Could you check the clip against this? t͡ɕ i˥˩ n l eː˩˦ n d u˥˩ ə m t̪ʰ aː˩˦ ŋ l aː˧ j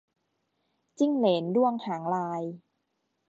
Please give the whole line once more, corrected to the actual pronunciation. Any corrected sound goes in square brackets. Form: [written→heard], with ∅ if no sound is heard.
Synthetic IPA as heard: t͡ɕ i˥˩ [n→ŋ] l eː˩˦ n d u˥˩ ə [m→ŋ] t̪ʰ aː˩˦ ŋ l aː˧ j